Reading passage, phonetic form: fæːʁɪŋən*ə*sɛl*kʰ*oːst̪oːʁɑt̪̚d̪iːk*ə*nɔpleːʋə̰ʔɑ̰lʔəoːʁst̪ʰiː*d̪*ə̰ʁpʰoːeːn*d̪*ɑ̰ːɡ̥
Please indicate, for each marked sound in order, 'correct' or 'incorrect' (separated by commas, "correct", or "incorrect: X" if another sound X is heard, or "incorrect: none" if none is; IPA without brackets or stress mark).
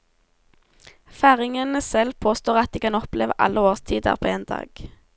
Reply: correct, incorrect: pʰ, incorrect: ɑ, correct, correct